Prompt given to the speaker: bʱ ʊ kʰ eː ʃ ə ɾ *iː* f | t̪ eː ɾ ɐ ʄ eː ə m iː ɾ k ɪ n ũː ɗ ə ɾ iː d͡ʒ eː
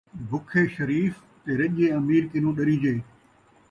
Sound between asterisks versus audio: correct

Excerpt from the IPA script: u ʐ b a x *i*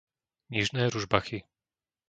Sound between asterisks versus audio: correct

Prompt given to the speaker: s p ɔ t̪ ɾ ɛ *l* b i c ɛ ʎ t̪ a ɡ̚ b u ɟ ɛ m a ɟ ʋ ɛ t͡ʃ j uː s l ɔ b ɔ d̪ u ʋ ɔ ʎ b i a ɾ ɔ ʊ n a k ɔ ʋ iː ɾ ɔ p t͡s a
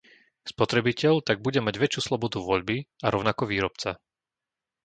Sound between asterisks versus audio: incorrect: none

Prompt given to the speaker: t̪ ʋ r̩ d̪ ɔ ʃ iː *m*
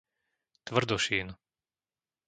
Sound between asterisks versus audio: incorrect: n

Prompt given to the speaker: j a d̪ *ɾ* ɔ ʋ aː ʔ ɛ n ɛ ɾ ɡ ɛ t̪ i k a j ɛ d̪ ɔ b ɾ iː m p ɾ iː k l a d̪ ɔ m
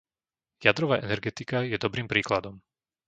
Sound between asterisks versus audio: correct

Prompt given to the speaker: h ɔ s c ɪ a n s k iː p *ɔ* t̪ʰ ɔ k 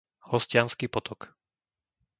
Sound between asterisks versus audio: correct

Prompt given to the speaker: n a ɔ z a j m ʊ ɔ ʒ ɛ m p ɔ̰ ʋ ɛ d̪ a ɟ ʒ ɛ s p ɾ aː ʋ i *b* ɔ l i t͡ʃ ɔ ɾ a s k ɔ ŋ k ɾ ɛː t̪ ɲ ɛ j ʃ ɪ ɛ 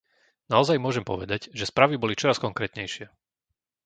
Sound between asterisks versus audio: correct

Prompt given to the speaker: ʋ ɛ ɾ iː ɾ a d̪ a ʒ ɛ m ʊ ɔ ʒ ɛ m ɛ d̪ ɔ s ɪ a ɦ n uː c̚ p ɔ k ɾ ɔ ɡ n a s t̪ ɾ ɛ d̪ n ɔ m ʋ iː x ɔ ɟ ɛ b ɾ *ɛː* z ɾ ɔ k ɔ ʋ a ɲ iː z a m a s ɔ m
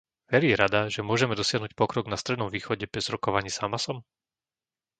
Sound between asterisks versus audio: incorrect: ɛ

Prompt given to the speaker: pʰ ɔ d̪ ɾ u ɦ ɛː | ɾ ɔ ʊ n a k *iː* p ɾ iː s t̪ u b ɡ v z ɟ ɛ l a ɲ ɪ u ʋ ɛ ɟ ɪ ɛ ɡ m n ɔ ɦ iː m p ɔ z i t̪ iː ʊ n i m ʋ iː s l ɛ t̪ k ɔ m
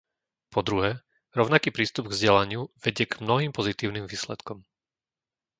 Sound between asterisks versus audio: correct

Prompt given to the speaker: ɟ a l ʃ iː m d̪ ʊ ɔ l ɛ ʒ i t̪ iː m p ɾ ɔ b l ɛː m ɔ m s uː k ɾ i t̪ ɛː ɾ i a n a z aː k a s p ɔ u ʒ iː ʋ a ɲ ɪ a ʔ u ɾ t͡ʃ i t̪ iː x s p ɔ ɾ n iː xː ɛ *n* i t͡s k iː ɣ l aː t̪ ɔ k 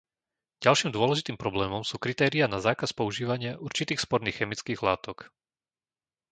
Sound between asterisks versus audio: incorrect: m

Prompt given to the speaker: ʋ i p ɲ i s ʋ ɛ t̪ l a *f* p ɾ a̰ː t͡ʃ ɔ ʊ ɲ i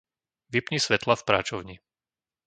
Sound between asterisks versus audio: correct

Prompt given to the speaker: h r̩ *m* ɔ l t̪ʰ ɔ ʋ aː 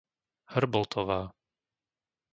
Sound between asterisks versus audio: incorrect: b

